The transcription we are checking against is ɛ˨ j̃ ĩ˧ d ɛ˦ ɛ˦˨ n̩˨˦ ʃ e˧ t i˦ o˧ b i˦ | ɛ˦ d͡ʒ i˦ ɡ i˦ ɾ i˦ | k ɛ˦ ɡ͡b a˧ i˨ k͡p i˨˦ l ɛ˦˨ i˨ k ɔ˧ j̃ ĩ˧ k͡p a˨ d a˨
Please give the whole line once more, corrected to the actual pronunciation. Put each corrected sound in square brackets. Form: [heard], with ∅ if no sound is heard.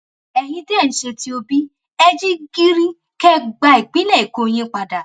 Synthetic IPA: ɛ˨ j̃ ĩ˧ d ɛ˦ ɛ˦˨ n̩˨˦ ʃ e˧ t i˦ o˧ b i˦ | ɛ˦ d͡ʒ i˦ ɡ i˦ ɾ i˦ | k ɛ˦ ɡ͡b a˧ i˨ k͡p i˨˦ l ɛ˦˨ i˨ k [o˧] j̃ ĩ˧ k͡p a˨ d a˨